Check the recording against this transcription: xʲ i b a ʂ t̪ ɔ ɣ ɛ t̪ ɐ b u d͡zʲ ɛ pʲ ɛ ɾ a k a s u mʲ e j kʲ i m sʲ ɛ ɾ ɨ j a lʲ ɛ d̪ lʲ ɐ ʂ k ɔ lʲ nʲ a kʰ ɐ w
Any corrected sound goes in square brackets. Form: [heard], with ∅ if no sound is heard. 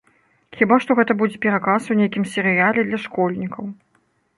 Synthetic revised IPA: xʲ i b a ʂ t̪ ɔ ɣ ɛ t̪ ɐ b u d͡zʲ ɛ pʲ ɛ ɾ a k a s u [nʲ] e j kʲ i m sʲ ɛ ɾ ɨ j a lʲ ɛ d̪ lʲ ɐ ʂ k ɔ lʲ nʲ [i] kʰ ɐ w